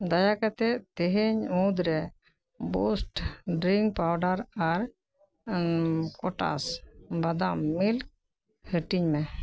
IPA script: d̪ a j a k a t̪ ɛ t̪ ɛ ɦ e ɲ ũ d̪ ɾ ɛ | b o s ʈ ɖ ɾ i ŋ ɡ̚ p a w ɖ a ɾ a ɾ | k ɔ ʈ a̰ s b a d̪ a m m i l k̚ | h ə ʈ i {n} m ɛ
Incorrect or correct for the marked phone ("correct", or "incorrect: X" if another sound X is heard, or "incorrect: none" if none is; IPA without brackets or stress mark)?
incorrect: ɲ